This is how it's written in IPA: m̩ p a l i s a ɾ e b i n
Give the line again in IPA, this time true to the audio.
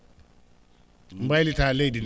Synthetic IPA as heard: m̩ b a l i t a l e d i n